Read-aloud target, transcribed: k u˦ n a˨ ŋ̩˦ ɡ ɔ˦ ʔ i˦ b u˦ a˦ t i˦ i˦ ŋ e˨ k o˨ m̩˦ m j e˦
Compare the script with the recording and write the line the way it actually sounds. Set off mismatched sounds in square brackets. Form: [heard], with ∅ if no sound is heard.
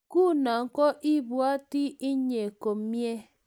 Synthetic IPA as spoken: k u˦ n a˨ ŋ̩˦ [k] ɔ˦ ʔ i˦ b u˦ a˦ t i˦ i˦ [ɲ] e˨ k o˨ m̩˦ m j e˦

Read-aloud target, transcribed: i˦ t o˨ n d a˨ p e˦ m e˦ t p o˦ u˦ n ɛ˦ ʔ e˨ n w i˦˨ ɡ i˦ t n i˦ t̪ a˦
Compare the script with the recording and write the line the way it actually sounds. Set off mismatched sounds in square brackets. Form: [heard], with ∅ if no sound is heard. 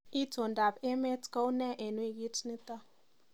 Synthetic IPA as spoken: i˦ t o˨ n d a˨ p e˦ m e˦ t [k] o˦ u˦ n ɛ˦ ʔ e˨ n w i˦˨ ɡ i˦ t n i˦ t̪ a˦

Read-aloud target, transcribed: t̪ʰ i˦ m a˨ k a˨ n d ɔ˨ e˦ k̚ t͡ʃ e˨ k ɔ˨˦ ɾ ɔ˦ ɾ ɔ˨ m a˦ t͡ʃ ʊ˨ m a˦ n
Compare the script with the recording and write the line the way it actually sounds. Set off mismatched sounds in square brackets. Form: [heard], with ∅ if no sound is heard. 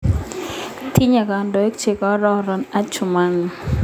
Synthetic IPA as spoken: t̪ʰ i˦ [ɲ] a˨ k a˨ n d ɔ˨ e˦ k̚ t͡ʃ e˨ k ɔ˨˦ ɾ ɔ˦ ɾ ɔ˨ [n] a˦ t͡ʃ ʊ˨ m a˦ n

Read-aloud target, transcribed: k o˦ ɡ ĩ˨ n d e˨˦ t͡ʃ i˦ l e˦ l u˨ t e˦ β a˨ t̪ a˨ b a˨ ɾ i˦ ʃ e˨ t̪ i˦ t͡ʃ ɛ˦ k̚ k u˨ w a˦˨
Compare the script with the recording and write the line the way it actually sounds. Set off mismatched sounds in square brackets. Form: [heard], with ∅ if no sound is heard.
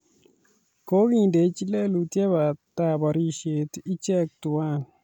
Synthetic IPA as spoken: k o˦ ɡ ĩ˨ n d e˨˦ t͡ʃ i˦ l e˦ l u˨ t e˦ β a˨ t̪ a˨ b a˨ ɾ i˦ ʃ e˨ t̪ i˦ t͡ʃ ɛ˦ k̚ [t] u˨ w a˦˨

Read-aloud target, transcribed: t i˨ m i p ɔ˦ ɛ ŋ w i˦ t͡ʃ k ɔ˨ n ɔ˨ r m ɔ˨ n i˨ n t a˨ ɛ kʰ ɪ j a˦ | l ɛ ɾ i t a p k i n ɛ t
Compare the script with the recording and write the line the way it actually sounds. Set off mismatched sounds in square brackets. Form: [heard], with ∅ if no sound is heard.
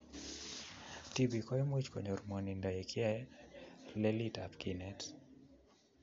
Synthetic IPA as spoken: t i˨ [b] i [k] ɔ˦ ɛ [m] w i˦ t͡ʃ k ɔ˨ [ɲ] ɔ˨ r m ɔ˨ n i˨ n [d] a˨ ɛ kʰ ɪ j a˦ | l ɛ [l] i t a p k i n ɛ t

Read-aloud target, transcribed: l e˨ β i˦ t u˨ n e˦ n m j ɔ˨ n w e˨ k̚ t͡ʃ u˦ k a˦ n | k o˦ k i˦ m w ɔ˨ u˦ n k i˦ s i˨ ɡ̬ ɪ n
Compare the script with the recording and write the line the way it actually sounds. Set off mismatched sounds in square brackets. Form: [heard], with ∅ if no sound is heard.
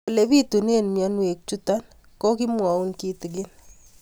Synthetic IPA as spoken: l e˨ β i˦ t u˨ n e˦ n m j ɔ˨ n w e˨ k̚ t͡ʃ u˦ [t] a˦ n | k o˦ k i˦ m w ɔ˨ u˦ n k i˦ [t] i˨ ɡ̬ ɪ n

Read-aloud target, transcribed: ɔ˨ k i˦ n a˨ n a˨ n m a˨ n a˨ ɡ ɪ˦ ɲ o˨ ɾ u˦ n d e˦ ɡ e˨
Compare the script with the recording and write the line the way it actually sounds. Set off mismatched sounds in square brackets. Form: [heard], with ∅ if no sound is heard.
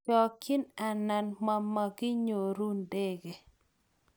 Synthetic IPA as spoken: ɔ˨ k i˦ n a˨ n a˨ n m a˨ [m] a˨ ɡ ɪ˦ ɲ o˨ ɾ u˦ n d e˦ ɡ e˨

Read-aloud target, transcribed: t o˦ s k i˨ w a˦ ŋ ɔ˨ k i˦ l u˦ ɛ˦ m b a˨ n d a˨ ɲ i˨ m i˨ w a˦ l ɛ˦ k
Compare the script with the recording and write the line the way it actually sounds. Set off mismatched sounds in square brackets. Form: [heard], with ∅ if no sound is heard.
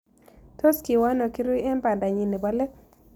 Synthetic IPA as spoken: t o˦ s k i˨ w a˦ [n] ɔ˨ k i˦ [ɾ] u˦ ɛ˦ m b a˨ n d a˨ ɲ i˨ [n] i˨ [b] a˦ l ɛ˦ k

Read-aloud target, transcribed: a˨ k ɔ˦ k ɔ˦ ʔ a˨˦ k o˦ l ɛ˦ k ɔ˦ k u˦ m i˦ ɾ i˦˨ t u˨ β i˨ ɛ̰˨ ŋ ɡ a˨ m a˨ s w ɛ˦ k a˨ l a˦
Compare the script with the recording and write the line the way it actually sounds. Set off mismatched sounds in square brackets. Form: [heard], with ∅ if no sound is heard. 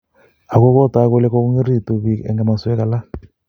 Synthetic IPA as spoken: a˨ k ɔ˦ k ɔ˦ [t] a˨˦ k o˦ l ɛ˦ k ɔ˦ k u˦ [ŋ] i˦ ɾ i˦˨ t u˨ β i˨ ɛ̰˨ ŋ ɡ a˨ m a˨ s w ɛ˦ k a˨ l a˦

